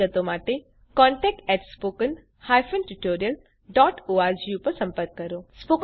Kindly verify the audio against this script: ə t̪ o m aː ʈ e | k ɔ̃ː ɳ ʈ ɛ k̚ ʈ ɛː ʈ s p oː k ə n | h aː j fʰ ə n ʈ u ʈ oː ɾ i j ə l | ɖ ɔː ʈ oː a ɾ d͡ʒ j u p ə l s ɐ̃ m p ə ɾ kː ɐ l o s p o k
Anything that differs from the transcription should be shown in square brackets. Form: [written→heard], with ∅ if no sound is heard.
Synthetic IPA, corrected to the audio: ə t̪ o m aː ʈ e | k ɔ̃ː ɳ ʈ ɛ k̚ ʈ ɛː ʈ s p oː k ə n | h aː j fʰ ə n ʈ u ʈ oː ɾ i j ə l | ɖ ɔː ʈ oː a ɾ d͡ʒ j u p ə [l→ɾ] s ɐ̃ m p ə ɾ kː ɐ [l→ɾ] o s p o k